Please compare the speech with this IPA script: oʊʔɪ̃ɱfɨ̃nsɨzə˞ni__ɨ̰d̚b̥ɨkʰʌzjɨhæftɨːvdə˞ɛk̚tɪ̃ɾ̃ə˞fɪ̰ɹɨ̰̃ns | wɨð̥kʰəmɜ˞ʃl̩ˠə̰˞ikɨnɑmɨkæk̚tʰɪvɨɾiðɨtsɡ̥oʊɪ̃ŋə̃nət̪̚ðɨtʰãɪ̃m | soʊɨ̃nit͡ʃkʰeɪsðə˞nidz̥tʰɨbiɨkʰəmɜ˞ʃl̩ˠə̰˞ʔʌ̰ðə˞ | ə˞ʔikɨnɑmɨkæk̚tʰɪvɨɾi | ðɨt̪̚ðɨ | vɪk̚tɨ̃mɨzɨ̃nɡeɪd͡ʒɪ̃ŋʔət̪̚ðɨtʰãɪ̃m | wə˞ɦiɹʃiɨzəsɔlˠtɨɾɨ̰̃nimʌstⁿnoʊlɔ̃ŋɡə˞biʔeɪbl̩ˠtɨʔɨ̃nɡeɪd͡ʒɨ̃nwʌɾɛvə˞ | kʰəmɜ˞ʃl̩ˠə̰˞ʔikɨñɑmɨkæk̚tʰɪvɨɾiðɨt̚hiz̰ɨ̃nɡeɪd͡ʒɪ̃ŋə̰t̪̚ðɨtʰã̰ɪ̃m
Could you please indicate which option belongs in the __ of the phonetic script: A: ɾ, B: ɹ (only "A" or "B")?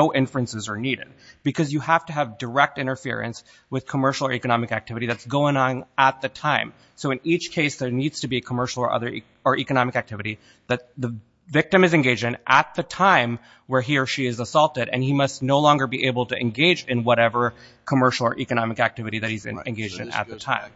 A